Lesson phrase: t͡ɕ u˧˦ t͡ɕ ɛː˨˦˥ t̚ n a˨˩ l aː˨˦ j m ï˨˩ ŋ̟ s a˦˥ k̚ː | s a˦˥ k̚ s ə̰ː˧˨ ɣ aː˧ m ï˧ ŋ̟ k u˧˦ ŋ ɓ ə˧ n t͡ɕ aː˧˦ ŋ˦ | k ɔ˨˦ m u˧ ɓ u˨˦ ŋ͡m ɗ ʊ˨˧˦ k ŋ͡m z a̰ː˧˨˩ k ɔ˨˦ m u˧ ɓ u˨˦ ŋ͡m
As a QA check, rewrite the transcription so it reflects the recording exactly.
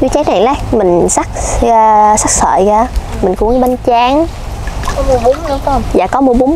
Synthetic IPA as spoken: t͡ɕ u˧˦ t͡ɕ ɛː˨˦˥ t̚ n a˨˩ l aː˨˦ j m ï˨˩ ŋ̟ s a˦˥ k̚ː | s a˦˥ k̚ s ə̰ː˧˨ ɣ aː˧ m ï˨˩ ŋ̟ k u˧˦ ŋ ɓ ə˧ n t͡ɕ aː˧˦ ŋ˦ | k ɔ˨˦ m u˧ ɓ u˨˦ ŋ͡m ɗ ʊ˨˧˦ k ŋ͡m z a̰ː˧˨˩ k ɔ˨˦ m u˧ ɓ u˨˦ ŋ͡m